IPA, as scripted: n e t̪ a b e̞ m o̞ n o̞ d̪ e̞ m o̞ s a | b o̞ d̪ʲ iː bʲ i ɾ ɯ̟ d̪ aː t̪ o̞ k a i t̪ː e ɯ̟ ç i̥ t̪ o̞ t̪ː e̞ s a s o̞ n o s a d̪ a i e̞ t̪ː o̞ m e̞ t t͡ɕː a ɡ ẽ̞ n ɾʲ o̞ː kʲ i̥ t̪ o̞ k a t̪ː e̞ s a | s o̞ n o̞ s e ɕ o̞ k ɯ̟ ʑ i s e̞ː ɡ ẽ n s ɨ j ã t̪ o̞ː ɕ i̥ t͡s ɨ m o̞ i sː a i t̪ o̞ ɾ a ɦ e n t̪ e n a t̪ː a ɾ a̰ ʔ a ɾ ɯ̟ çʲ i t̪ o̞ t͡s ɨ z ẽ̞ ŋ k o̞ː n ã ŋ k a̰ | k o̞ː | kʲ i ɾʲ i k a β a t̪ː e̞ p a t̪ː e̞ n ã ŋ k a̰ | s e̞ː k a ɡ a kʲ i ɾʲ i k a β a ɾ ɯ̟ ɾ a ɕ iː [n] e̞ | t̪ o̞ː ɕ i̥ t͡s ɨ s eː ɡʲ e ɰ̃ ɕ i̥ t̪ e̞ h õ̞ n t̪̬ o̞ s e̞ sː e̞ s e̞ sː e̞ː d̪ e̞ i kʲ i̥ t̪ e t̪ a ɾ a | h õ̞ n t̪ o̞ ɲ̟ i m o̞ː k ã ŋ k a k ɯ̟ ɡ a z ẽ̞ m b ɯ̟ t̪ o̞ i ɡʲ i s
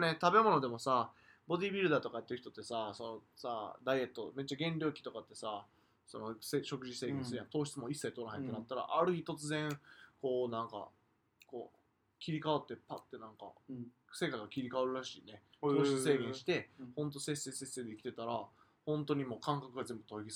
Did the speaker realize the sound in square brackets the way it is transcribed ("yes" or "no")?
yes